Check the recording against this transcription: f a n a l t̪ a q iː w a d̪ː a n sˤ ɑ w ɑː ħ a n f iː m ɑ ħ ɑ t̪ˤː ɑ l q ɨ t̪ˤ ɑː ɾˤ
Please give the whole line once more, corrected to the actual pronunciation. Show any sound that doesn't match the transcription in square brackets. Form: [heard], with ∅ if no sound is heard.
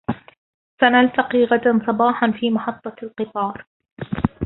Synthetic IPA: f a n a l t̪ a q iː [ɣ] a [d̪] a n sˤ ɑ [b] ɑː ħ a n f iː m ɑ ħ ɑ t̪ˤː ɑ l q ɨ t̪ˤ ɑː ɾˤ